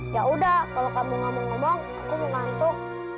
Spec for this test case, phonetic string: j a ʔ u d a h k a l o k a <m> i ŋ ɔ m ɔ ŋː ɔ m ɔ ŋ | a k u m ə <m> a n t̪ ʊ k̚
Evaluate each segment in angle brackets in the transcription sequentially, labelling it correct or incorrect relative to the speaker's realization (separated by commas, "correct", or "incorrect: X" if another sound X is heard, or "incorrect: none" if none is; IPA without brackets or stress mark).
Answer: correct, incorrect: ŋ